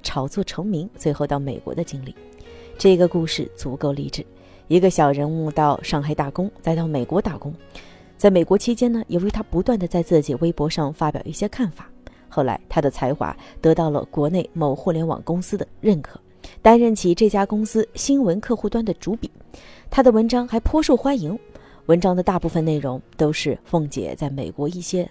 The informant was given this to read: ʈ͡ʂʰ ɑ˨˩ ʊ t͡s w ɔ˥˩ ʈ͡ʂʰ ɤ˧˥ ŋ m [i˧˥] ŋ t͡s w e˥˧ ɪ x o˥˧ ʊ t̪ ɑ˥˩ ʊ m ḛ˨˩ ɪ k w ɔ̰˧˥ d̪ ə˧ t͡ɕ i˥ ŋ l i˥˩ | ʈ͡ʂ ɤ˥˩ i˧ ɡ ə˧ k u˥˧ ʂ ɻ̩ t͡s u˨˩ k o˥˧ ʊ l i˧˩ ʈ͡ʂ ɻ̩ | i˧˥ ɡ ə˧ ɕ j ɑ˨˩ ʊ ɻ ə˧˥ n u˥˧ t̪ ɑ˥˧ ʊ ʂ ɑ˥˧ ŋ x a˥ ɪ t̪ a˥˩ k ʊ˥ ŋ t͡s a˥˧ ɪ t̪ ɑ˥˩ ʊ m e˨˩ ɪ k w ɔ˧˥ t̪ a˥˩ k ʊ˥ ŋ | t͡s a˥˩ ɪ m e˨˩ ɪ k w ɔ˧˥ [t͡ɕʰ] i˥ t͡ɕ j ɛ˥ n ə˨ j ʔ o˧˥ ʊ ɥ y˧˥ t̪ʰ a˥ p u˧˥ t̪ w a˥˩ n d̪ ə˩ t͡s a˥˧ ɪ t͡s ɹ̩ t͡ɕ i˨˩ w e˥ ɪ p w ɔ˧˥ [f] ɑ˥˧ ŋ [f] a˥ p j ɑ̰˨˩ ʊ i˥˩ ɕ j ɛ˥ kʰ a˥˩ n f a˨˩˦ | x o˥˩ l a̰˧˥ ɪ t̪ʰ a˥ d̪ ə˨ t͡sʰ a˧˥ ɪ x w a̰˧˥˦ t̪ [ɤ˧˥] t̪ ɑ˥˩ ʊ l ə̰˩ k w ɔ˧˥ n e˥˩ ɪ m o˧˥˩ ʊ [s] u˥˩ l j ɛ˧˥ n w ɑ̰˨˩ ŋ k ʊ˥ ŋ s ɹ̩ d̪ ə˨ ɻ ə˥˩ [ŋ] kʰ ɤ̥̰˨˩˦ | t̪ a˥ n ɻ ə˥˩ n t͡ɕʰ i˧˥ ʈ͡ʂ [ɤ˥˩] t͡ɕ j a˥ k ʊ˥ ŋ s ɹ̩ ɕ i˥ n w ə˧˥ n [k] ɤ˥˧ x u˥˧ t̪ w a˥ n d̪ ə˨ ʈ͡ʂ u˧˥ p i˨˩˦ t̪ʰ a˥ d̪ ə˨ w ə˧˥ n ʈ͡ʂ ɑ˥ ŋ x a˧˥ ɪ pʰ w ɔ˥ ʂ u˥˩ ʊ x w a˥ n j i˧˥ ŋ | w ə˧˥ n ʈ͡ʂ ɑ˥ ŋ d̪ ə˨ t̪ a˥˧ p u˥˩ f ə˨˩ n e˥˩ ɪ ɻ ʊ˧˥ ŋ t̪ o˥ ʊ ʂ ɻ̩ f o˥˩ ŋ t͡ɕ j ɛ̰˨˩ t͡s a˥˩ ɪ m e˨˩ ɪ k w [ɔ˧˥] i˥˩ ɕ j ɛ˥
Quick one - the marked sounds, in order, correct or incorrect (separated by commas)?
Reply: correct, correct, incorrect, correct, correct, incorrect, incorrect, correct, incorrect, correct